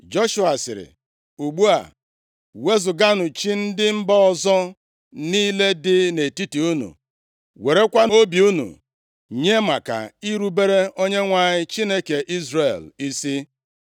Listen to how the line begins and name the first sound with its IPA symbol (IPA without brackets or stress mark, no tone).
d͡ʒ